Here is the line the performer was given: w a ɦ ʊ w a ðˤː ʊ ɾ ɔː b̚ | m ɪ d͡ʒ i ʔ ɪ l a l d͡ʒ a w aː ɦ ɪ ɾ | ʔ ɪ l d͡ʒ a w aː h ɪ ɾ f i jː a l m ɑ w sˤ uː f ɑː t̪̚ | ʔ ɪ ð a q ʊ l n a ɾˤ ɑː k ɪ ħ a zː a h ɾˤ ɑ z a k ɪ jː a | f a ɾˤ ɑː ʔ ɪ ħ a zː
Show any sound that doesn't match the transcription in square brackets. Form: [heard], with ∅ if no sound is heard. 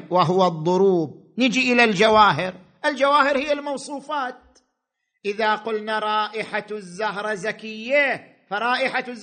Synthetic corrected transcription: w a ɦ ʊ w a ðˤː ʊ ɾ [uː] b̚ | [n] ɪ d͡ʒ i ʔ ɪ l a l d͡ʒ a w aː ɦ ɪ ɾ | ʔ ɪ l d͡ʒ a w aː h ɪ ɾ [h] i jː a l m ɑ w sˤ uː f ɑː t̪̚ | ʔ ɪ ð a q ʊ l n a ɾˤ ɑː [ʔ] ɪ ħ a zː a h ɾˤ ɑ z a k ɪ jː a | f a ɾˤ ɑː ʔ ɪ ħ a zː